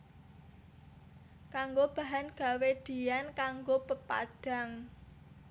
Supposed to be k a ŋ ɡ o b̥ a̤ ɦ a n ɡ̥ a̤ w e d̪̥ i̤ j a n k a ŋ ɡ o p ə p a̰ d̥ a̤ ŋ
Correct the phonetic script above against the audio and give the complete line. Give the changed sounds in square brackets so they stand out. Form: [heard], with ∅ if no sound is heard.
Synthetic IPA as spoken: k a ŋ ɡ o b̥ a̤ ɦ a n ɡ̥ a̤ w e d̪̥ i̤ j a n k a ŋ ɡ o p ə p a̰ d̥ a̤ ŋ